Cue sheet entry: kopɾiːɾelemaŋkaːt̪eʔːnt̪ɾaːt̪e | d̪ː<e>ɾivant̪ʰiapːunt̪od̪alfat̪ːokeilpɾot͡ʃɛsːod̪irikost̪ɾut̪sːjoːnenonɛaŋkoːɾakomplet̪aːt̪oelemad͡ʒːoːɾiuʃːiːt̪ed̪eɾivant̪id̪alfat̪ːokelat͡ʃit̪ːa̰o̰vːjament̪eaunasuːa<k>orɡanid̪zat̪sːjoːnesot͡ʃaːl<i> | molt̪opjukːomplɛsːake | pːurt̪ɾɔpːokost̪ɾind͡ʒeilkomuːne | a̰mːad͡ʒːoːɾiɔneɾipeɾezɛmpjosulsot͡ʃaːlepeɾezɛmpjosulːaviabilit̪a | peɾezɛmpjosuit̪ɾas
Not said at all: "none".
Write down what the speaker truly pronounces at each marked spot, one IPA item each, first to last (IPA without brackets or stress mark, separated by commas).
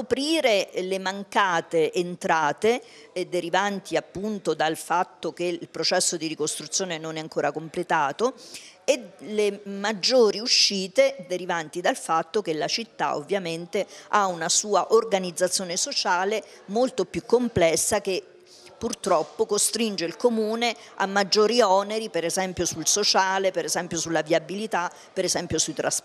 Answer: e, ʔ, e